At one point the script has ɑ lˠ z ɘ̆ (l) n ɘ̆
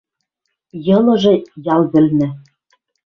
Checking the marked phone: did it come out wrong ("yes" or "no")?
no